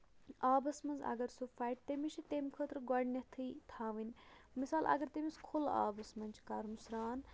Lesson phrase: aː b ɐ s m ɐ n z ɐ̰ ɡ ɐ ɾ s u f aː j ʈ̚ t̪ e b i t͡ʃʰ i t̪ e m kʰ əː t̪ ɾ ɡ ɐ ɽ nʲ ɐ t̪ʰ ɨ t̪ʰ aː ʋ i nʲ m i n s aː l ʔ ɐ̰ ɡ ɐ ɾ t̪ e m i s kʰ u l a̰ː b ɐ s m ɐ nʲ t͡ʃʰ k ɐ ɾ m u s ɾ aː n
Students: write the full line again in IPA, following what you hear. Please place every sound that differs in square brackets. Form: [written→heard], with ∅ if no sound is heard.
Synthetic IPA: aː b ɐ s m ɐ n z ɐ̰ ɡ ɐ ɾ s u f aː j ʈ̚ t̪ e [b→m] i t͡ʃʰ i t̪ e m kʰ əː t̪ ɾ ɡ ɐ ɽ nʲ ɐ t̪ʰ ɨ t̪ʰ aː ʋ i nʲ m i [n→∅] s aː l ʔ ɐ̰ ɡ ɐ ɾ t̪ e m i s kʰ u l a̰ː b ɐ s m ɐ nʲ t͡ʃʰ k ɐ ɾ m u s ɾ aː n